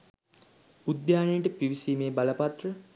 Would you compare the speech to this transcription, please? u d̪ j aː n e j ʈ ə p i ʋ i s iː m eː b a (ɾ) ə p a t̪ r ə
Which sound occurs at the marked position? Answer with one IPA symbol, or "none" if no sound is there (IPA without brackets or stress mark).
l